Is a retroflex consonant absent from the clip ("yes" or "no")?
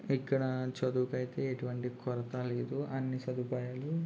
no